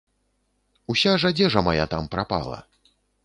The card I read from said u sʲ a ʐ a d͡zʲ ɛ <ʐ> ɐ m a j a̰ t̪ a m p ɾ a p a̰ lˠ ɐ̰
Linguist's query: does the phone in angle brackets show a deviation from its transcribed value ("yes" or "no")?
no